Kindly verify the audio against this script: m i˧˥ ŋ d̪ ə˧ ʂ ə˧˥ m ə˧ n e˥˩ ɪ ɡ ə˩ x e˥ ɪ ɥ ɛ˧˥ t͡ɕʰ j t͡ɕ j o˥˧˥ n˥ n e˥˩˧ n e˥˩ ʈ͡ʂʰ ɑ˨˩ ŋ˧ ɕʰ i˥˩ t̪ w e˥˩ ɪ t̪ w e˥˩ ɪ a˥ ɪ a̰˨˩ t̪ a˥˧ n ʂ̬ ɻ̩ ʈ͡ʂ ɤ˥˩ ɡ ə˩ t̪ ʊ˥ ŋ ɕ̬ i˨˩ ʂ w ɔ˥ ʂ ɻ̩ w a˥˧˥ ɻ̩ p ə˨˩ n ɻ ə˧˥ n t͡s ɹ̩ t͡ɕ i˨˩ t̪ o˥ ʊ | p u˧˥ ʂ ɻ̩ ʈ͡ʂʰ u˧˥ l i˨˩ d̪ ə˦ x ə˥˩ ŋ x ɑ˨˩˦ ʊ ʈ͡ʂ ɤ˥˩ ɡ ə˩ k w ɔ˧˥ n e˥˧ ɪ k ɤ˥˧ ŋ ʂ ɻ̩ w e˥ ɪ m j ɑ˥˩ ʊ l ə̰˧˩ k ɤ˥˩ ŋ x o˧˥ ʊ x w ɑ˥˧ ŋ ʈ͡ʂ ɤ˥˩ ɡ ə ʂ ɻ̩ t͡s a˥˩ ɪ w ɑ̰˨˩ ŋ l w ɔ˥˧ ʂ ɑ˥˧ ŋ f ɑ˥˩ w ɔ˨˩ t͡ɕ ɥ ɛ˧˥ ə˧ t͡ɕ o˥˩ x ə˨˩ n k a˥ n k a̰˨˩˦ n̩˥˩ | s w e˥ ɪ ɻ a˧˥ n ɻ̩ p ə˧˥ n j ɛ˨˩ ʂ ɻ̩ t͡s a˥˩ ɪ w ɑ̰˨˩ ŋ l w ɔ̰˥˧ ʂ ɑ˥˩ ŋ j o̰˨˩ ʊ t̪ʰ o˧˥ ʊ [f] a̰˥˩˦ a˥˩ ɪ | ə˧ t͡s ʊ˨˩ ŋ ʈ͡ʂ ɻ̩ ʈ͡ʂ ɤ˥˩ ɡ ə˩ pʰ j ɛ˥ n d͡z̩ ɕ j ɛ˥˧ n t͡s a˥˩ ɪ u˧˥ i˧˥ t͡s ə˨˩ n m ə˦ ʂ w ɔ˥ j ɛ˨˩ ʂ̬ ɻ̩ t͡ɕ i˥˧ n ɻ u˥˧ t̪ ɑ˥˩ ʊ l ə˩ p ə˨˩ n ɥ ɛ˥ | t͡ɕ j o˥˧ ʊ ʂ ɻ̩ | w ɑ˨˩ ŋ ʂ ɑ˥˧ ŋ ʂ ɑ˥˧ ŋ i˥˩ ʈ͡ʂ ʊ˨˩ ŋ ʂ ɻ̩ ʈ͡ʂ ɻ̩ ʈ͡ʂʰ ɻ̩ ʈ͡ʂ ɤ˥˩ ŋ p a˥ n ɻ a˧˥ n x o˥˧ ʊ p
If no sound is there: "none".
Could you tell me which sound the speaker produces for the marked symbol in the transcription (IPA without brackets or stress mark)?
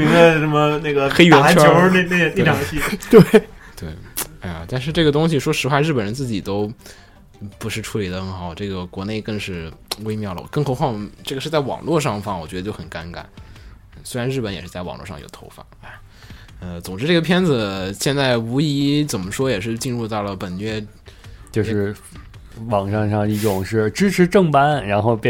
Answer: f